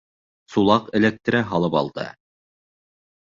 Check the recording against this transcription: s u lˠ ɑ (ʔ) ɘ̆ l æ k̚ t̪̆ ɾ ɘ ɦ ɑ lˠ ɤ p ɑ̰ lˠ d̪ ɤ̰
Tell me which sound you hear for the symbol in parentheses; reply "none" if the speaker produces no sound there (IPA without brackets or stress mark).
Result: q